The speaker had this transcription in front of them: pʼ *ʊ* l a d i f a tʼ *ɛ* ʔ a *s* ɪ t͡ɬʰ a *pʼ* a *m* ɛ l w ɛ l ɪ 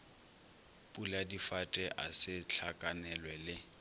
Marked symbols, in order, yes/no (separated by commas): no, yes, yes, no, no